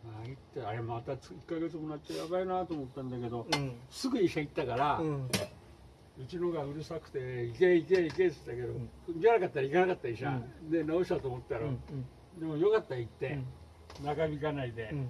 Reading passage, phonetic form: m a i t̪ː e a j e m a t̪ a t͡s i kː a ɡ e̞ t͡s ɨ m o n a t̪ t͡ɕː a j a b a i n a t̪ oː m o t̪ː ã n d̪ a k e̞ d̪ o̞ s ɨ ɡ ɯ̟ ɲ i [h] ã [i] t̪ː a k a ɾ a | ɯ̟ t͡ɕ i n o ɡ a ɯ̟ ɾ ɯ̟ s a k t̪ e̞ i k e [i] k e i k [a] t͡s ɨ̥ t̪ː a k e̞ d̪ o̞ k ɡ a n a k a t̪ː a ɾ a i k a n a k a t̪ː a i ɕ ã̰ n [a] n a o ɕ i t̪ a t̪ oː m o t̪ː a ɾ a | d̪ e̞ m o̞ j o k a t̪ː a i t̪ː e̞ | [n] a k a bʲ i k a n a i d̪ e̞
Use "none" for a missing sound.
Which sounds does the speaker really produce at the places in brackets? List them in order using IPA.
ɕ, i, i, e, e, n

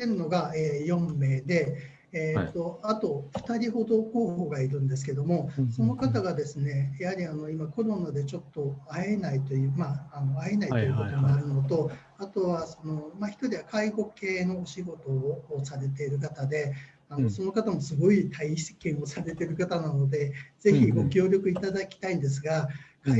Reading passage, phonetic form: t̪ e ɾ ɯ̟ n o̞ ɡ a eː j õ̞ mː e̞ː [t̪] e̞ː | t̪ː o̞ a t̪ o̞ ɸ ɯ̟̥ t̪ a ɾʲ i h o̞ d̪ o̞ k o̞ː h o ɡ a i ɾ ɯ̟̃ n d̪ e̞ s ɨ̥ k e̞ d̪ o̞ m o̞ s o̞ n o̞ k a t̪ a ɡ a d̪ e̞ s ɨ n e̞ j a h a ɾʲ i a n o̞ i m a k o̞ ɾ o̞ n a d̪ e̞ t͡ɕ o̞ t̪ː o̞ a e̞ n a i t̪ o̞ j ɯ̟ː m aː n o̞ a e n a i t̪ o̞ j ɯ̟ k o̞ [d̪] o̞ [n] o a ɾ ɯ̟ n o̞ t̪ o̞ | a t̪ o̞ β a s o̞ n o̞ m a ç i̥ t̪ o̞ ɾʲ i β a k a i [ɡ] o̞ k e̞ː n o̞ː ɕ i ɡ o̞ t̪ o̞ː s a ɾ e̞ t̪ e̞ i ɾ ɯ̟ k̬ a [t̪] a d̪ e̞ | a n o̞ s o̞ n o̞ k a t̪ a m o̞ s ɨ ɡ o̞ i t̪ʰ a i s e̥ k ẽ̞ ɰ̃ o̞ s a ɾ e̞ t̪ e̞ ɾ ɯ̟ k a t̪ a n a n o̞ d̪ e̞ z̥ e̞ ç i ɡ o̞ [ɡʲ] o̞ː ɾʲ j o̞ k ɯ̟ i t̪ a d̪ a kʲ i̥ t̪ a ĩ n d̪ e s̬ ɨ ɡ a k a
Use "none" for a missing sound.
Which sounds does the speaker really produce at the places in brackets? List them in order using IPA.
d̪, t̪, m, ɡ, t̪, kʲ

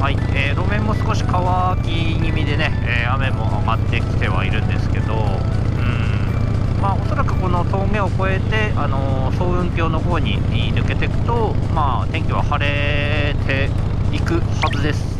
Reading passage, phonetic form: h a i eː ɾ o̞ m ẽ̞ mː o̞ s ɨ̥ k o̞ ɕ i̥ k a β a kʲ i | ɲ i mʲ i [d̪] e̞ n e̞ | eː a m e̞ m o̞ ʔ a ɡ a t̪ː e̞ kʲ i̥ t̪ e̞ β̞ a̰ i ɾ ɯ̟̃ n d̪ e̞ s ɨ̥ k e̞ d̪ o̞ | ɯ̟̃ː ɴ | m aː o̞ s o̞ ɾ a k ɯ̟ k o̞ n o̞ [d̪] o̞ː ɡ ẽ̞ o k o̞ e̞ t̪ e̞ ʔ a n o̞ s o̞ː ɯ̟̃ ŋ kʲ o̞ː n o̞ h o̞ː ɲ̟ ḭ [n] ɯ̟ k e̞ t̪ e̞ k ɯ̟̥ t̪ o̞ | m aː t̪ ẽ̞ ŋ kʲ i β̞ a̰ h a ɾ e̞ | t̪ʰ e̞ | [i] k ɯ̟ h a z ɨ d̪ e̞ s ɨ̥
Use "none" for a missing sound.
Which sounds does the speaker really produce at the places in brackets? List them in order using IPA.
d̪, t̪, n, i

